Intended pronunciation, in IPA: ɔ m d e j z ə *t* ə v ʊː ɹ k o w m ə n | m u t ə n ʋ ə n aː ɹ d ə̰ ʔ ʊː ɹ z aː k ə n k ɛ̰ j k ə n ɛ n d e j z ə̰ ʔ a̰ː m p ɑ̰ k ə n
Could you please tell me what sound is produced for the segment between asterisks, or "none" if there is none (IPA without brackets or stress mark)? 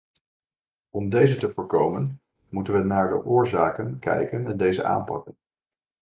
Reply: t